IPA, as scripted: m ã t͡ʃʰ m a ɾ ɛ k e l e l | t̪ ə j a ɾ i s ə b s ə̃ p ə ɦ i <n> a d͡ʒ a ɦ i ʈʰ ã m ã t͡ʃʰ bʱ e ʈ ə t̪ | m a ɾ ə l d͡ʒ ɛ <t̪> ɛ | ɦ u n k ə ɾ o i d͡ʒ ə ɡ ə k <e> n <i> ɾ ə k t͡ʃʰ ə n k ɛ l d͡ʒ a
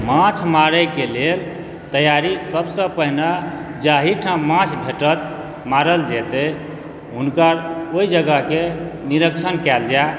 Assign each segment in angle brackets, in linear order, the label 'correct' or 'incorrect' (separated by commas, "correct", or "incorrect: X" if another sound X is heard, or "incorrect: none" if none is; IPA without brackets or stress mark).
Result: correct, correct, correct, correct